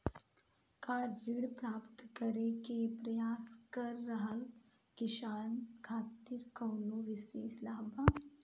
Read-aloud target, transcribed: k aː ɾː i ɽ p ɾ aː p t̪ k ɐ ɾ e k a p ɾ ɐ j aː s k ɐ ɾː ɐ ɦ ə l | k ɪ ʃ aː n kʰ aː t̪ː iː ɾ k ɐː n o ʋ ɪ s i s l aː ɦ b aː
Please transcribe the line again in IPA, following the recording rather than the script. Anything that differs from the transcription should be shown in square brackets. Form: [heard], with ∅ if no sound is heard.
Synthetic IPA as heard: k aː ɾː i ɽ p ɾ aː p t̪ k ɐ ɾ e k [e] p ɾ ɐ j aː s k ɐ ɾː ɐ ɦ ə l | k ɪ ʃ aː n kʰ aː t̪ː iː ɾ k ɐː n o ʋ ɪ s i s l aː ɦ b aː

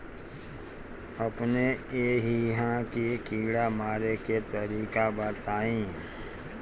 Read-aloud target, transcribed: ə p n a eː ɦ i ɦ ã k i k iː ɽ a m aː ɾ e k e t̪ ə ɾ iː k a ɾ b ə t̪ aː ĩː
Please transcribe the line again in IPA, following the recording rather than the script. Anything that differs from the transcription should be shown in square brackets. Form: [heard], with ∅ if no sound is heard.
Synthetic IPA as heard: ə p n [e] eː ɦ i ɦ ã k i k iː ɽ a m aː ɾ e k e t̪ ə ɾ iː k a [∅] b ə t̪ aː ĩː

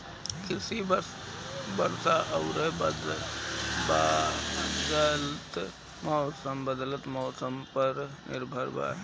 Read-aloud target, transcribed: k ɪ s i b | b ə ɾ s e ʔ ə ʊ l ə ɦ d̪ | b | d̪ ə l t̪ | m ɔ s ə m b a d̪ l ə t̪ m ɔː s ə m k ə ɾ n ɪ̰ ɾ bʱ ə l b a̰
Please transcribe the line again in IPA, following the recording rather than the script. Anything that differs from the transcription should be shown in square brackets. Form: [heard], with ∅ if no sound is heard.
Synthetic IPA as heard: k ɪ s i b | b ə ɾ s [a] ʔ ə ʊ [ɾ] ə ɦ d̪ | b | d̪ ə l t̪ | m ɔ s ə m b [ə] d̪ l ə t̪ m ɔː s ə m [p] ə ɾ n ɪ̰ ɾ bʱ ə [ɾ] b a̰

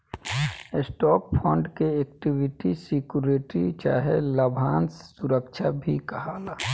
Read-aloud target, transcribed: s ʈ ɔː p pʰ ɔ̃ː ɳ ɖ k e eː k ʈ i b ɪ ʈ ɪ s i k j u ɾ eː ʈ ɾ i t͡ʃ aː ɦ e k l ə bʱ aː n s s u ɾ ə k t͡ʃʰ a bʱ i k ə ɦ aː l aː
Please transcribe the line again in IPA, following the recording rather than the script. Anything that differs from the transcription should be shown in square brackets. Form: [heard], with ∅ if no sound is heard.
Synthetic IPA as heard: s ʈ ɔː p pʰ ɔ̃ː ɳ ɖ k e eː k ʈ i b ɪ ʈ [i] s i k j u ɾ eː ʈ ɾ i t͡ʃ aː ɦ e [∅] l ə bʱ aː n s s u ɾ ə k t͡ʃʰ a bʱ i k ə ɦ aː l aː

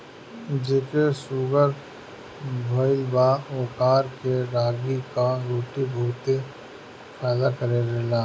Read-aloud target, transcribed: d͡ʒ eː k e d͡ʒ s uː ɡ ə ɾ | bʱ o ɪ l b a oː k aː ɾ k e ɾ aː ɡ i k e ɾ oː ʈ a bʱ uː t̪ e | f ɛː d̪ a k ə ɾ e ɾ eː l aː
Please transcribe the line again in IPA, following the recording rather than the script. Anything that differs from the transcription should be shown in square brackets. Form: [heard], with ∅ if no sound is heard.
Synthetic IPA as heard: d͡ʒ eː k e [∅] s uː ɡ ə ɾ | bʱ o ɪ l b a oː k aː ɾ k e ɾ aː ɡ i k [a] ɾ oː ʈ [i] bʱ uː t̪ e | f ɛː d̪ a k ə ɾ e ɾ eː l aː

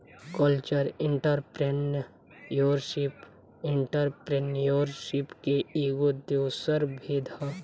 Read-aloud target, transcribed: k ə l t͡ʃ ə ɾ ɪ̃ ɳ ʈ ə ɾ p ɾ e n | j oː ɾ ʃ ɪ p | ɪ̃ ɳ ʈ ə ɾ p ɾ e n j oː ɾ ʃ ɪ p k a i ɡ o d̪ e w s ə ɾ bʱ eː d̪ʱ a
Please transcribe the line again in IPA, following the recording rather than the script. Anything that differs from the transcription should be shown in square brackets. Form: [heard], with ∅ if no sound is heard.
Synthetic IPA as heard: k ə l t͡ʃ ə ɾ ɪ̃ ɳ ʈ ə ɾ p ɾ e n | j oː ɾ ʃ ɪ p | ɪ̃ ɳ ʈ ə ɾ p ɾ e n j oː ɾ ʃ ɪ p k [e] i ɡ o d̪ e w s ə ɾ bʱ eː d̪ʱ a

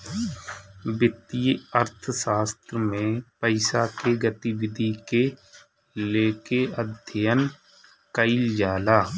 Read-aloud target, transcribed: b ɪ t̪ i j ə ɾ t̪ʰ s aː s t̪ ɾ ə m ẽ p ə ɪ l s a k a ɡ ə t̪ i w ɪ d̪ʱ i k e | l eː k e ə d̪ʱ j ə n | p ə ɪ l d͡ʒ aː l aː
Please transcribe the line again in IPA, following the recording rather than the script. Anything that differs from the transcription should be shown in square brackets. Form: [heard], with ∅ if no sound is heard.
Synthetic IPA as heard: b ɪ t̪ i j ə ɾ t̪ʰ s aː s t̪ ɾ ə m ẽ p ə ɪ [∅] s a k [e] ɡ ə t̪ i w ɪ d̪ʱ i k e | l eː k e ə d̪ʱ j ə n | [k] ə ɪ l d͡ʒ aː l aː

